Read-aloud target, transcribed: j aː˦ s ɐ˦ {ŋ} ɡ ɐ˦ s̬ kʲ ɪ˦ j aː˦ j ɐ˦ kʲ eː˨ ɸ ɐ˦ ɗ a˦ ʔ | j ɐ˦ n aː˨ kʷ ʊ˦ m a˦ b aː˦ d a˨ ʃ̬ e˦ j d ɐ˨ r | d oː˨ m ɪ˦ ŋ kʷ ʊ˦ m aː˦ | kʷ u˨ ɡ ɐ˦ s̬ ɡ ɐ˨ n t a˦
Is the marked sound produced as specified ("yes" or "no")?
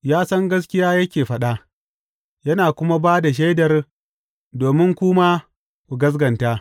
yes